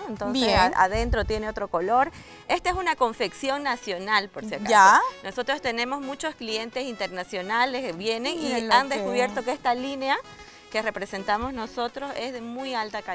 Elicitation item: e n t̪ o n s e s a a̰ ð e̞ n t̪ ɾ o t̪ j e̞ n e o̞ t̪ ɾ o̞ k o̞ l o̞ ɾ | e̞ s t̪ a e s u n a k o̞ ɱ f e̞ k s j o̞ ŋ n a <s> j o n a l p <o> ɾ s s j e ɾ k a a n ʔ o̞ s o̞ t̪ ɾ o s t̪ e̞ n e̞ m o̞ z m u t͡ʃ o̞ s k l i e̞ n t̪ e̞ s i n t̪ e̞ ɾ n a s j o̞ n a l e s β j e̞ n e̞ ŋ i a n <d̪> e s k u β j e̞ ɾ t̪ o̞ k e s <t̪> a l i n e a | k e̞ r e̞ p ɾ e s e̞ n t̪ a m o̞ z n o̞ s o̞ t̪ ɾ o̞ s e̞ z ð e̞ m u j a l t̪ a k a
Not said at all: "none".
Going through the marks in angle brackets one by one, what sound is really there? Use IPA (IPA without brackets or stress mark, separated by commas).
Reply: s, o, d̪, t̪